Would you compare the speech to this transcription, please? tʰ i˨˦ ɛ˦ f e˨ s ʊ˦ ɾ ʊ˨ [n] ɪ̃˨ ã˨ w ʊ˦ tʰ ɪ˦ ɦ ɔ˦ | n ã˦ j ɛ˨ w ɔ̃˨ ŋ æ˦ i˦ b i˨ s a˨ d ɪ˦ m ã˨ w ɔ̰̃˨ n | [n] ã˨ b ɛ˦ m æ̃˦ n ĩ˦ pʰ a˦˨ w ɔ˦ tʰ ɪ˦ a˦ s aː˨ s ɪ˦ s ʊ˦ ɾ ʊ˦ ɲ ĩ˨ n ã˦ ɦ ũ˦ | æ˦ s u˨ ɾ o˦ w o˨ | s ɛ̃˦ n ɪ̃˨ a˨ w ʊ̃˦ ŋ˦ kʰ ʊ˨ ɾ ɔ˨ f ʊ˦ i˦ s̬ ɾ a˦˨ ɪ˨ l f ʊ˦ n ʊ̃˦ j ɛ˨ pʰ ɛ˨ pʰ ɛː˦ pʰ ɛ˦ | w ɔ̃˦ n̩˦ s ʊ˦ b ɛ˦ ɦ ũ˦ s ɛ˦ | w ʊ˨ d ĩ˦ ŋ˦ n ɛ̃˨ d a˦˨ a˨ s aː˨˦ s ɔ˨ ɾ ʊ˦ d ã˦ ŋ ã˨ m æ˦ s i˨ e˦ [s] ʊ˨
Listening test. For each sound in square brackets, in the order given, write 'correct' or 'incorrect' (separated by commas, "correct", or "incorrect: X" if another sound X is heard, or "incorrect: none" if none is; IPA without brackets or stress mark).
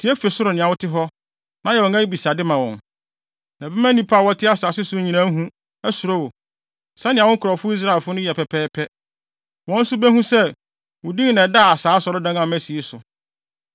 correct, correct, correct